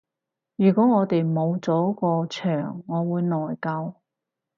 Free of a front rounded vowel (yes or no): no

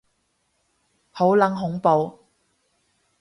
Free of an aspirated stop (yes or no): yes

